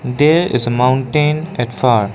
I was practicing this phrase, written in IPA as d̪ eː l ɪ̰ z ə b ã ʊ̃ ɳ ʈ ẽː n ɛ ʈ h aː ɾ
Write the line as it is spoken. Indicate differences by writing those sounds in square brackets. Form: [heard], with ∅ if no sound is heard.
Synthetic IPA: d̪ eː [ɾ] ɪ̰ z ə [m] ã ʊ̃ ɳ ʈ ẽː n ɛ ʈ [f] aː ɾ